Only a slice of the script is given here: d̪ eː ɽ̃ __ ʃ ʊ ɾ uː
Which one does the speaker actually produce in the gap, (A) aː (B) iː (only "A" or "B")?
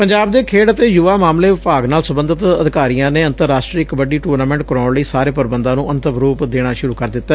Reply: A